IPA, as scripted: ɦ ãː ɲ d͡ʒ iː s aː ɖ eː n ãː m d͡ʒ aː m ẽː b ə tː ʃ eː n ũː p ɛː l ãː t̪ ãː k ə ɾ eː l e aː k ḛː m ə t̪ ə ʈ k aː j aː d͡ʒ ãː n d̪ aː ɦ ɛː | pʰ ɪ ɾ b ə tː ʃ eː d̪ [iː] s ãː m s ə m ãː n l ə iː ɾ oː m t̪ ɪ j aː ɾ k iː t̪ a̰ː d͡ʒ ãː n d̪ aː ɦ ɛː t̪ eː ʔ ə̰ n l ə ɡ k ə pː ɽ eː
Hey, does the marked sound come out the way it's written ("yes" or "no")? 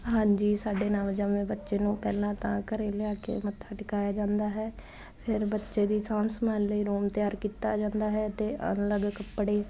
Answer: yes